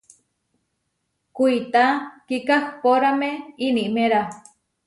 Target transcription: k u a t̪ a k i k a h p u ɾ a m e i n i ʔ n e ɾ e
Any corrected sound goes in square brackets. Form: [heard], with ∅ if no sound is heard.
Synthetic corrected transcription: k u [i] t̪ a k i k a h p [o] ɾ a m e i n i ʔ [m] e ɾ [a]